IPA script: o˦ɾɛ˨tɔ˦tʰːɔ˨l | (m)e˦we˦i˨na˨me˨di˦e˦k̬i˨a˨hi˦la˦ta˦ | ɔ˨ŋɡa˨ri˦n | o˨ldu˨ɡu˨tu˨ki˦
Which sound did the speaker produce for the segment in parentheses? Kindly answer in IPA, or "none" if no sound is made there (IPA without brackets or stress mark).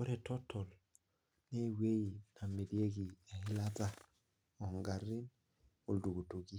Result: n